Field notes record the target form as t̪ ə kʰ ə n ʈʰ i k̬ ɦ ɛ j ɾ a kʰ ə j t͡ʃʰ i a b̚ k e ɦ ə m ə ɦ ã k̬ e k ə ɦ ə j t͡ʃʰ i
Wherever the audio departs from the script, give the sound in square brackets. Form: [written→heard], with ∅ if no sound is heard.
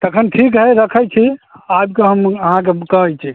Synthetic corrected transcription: t̪ ə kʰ ə n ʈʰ i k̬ ɦ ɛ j ɾ [a→ə] kʰ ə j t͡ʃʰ i a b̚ k e ɦ ə m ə ɦ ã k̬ e k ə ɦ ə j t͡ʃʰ i